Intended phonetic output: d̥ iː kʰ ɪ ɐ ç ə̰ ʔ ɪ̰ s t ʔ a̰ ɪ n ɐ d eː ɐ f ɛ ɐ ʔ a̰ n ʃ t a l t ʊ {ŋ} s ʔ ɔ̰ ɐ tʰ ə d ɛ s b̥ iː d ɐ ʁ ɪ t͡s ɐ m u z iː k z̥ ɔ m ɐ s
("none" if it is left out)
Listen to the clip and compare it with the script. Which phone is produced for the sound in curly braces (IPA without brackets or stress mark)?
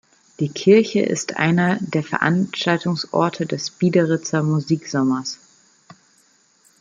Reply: ŋ